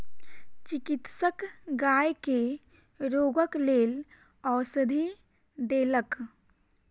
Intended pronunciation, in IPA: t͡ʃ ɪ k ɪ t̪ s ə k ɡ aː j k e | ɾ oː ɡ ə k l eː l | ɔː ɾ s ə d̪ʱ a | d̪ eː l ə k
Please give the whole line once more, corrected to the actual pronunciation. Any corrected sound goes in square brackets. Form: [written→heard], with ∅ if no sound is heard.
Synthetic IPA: t͡ʃ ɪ k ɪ t̪ s ə k ɡ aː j k e | ɾ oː ɡ ə k l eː l | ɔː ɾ s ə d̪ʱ [a→i] | d̪ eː l ə k